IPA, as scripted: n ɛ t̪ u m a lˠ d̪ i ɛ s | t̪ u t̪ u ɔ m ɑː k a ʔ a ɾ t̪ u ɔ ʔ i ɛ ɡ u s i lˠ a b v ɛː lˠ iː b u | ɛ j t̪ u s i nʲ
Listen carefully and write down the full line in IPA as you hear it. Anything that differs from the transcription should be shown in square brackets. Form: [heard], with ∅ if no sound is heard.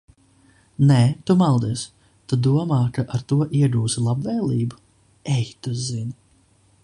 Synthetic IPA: n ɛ t̪ u m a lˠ d̪ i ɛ s | t̪ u [d̪] u ɔ m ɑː k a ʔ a ɾ t̪ u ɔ ʔ i ɛ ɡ [uː] s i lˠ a b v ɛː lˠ iː b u | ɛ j t̪ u [z] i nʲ